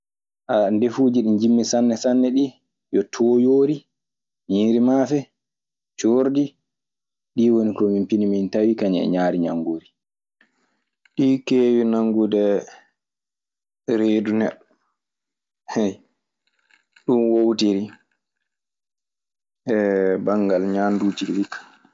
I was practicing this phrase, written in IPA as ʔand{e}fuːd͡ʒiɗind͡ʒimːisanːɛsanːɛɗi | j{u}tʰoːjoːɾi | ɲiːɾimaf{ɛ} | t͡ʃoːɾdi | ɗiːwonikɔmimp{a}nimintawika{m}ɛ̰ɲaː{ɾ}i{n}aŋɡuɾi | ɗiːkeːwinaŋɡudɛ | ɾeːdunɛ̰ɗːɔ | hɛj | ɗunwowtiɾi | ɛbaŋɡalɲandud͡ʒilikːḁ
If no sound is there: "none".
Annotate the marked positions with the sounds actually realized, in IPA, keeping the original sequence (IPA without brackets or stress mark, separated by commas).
e, ɔ, ɛ, i, ɲ, ɾ, ɲ